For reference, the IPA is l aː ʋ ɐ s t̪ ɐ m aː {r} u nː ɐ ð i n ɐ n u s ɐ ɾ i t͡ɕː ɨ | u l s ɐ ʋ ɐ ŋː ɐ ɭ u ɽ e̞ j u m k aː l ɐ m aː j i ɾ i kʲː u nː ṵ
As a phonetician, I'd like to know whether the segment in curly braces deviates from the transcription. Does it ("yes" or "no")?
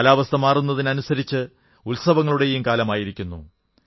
no